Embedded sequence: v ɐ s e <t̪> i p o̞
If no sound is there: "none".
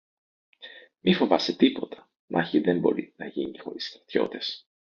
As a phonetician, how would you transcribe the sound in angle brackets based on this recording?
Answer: t̪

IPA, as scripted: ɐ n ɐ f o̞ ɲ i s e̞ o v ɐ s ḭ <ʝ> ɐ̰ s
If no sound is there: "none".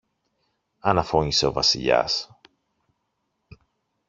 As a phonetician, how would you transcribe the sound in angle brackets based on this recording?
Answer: ʎ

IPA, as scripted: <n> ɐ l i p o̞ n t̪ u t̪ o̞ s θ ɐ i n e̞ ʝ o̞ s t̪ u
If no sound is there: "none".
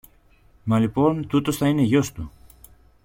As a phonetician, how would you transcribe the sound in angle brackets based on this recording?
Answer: m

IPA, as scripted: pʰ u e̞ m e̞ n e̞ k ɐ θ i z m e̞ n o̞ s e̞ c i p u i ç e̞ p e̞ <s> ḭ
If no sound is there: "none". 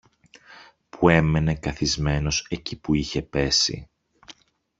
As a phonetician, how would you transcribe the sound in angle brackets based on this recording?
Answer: s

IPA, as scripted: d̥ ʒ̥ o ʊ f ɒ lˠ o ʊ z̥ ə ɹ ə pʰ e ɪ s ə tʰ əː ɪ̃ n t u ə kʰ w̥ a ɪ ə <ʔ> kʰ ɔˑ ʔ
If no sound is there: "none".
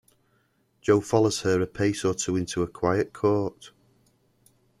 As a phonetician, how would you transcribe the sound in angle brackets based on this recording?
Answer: ʔ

